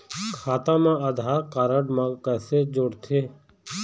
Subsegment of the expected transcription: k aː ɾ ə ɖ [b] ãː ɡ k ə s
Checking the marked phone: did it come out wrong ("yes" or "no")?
yes